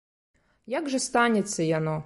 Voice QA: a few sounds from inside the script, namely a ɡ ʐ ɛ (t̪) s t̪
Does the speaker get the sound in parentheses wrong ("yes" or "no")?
yes